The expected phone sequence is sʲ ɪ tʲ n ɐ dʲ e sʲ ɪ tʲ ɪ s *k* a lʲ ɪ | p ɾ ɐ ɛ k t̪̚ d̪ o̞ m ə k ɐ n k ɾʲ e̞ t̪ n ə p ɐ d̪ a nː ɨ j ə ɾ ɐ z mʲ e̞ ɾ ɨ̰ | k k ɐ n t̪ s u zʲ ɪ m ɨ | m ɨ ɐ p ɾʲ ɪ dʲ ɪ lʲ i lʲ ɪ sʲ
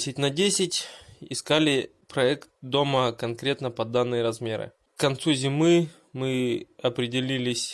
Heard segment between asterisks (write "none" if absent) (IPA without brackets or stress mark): k